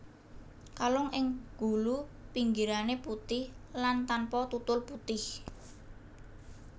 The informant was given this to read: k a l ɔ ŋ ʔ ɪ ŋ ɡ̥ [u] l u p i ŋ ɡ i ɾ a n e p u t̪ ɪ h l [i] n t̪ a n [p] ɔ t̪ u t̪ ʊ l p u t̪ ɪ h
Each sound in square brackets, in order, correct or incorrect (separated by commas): correct, incorrect, correct